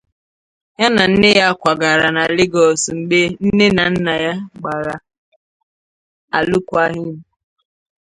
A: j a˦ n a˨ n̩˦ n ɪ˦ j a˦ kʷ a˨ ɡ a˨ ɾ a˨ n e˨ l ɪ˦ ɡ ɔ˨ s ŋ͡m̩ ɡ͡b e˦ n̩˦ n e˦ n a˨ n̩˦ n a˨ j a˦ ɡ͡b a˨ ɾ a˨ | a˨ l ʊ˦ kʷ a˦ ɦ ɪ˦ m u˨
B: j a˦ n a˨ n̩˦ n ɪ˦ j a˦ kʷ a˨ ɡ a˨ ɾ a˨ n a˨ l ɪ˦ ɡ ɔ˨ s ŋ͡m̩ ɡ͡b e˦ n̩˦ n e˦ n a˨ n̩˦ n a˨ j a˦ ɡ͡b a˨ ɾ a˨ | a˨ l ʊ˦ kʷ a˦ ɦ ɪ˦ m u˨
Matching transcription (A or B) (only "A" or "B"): B